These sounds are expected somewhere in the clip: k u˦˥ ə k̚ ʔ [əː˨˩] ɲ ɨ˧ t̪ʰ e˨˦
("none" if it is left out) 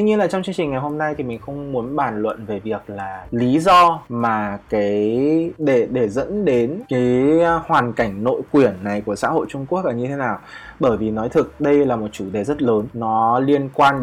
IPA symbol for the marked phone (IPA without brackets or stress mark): aː˨˩